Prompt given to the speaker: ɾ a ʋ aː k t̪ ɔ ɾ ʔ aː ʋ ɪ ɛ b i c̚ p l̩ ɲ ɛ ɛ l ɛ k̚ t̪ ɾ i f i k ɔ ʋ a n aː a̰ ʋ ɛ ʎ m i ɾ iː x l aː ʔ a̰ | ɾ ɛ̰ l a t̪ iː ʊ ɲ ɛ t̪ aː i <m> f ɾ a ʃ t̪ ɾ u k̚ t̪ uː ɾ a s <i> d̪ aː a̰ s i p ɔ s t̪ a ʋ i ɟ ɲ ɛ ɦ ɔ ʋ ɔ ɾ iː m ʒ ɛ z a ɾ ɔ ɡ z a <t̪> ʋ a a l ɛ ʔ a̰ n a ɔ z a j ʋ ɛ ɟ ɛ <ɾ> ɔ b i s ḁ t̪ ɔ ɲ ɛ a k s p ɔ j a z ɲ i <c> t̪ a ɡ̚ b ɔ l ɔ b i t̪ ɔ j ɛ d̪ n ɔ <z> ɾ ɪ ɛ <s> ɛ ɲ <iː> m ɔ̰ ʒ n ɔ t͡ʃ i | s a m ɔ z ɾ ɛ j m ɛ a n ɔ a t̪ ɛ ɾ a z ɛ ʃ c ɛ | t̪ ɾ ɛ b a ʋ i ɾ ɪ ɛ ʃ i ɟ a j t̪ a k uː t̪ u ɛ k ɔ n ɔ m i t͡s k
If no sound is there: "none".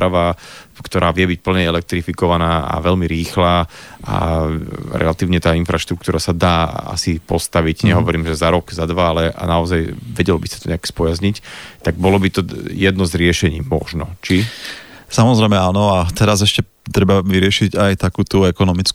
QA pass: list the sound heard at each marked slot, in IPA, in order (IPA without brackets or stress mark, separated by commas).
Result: n, a, d̪, l, c, z, ʃ, iː